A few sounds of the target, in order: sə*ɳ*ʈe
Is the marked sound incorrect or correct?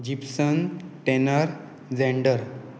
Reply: incorrect